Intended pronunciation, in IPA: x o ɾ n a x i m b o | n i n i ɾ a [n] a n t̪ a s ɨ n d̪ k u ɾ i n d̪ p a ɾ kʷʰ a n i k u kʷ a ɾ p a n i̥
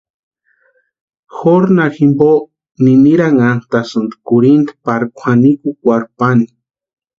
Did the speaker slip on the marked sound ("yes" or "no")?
yes